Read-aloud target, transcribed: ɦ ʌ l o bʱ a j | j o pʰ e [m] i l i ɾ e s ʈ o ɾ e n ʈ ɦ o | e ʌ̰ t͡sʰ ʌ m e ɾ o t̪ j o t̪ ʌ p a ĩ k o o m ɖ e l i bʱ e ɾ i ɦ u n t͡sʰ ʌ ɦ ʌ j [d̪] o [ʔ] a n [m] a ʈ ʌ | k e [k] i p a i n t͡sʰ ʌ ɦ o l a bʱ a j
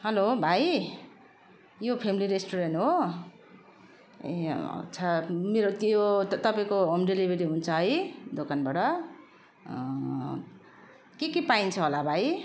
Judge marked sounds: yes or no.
yes, yes, no, no, yes

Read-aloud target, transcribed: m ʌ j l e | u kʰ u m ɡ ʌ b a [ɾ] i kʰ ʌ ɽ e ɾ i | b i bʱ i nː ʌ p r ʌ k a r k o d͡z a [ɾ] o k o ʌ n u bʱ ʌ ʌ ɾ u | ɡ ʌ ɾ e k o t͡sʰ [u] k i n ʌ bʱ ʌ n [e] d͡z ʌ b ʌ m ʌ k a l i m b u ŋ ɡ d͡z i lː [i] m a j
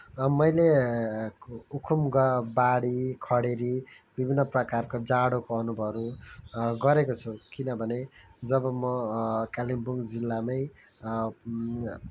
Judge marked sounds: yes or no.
no, no, yes, yes, no

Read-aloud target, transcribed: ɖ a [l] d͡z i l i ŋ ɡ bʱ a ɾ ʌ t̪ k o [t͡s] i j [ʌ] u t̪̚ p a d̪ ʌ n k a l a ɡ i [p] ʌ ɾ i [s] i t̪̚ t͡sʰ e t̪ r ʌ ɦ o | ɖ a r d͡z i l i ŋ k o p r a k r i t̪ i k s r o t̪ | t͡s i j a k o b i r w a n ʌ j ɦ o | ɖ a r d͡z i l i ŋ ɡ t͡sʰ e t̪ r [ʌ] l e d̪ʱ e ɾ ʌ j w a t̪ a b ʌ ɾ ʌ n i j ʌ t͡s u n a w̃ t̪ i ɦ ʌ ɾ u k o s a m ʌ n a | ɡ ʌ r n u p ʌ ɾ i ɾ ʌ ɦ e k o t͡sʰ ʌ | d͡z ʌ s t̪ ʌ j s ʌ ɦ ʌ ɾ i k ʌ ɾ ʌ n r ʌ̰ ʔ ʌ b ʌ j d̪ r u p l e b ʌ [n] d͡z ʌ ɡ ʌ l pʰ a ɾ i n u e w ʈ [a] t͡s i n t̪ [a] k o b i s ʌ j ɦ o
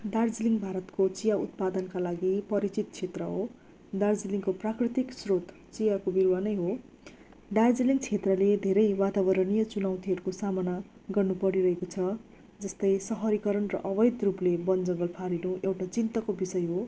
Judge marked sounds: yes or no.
no, yes, no, yes, no, yes, yes, yes, no

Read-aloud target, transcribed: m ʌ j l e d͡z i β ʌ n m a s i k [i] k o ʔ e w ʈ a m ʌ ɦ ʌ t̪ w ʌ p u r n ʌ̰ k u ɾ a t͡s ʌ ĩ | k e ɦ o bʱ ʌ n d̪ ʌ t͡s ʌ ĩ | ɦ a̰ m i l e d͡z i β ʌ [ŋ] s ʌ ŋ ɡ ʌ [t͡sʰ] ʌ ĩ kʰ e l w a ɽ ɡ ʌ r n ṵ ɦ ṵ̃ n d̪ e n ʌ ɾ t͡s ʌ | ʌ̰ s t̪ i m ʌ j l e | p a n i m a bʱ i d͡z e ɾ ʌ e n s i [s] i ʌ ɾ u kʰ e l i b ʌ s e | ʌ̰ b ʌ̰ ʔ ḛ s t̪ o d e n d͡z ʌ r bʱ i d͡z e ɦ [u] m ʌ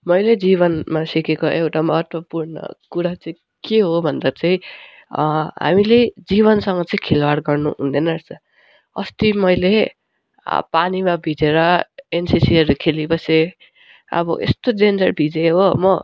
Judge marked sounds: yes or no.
no, no, no, yes, no

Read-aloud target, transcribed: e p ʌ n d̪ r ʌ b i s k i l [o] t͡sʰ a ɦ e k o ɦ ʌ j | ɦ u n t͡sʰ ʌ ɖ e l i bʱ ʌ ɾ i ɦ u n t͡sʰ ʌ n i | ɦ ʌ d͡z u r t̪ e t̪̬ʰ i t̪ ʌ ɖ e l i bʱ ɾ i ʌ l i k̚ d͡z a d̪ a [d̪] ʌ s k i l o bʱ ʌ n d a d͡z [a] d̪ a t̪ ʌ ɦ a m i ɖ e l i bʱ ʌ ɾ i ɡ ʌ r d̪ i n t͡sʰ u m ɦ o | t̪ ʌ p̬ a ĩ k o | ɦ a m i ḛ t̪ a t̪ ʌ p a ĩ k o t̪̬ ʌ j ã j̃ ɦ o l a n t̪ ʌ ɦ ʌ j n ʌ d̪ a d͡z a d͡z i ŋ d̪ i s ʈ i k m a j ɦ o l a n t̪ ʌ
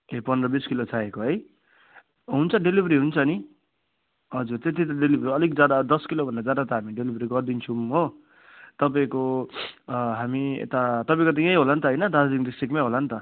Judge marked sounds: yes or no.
yes, yes, yes

